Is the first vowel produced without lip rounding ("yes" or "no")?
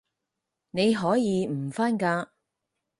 yes